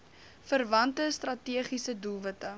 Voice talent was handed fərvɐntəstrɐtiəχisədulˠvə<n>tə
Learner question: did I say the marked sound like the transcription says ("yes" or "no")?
no